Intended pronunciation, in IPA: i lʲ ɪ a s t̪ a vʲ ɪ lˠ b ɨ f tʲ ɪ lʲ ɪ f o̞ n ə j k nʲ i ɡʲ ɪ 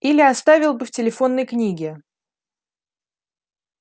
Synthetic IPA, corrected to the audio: i lʲ ɪ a s t̪ a vʲ ɪ lˠ b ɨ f tʲ ɪ lʲ ɪ f o̞ nː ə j k nʲ i ɡʲ ɪ